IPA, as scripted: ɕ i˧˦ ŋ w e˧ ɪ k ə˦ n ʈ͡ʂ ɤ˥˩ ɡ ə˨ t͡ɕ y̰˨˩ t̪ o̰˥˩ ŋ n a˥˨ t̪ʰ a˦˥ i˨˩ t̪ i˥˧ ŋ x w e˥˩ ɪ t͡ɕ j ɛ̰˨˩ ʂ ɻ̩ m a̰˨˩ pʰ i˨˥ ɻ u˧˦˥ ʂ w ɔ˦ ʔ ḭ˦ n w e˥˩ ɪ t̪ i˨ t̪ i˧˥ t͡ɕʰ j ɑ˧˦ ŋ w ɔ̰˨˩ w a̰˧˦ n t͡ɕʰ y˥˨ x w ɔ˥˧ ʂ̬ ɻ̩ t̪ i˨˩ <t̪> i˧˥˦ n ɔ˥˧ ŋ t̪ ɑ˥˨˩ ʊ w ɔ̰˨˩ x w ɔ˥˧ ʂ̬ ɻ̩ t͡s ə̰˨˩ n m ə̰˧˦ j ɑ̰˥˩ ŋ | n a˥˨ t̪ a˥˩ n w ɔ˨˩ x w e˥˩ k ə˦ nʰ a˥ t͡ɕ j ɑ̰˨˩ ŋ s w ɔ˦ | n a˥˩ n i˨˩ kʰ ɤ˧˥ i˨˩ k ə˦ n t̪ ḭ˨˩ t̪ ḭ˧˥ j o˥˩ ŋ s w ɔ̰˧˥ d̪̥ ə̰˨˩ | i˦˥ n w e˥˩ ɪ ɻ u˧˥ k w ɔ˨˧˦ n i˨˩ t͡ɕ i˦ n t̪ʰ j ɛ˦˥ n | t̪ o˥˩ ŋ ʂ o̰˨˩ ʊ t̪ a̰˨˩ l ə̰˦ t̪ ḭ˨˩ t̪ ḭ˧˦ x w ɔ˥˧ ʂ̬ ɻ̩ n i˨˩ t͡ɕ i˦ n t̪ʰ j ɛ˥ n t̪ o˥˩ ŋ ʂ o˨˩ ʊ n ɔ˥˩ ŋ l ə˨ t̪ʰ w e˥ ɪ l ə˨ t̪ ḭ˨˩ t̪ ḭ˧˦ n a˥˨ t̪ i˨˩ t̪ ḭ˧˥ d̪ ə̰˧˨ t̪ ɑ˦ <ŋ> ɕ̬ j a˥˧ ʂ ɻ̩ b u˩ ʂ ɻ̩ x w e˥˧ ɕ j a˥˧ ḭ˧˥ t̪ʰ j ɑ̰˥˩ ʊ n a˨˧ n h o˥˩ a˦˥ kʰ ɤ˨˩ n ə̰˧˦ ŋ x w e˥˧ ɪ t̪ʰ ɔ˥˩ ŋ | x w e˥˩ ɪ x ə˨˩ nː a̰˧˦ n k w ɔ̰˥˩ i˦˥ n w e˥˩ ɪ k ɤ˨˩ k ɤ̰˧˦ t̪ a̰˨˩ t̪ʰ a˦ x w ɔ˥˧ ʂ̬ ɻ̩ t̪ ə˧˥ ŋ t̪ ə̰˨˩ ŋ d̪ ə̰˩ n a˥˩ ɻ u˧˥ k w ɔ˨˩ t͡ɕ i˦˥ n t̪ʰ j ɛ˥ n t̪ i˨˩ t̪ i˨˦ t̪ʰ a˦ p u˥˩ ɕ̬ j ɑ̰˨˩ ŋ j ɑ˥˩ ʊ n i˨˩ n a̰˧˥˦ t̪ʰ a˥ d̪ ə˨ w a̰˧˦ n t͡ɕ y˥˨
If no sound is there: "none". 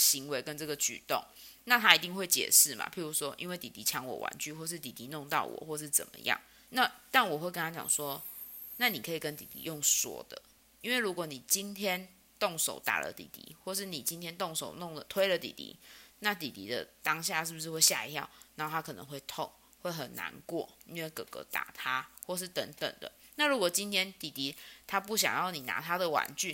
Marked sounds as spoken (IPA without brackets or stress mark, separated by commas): t̪, ŋ